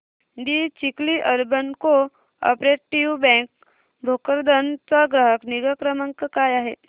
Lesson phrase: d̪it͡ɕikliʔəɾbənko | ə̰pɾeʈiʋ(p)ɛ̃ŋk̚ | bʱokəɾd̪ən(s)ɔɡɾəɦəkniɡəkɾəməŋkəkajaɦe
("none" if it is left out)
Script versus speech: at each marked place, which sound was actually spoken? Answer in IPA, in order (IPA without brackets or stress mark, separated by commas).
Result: b, t͡s